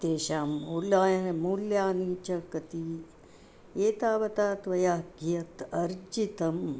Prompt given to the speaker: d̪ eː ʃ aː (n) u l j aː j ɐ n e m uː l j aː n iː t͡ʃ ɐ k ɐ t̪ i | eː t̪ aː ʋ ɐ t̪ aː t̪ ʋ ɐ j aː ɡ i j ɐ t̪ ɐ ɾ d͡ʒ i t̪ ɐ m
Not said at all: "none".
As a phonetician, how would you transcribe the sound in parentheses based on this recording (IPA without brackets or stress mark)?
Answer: m